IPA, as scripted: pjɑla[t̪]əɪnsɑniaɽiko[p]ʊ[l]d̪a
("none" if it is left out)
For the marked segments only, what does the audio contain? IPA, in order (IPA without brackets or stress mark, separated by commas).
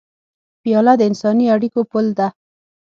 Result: d̪, p, l